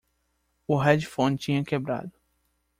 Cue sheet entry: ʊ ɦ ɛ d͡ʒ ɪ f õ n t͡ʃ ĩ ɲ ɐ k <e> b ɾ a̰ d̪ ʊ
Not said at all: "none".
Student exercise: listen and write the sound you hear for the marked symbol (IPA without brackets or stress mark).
e